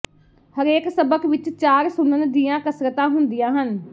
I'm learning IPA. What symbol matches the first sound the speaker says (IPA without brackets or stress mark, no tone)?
h